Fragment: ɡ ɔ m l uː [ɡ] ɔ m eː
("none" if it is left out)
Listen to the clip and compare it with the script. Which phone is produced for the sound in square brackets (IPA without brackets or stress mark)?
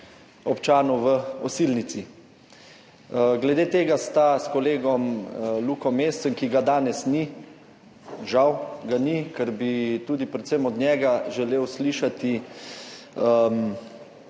k